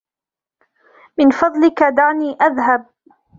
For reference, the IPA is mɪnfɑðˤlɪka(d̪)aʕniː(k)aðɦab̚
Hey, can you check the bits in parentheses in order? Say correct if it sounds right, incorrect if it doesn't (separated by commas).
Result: correct, incorrect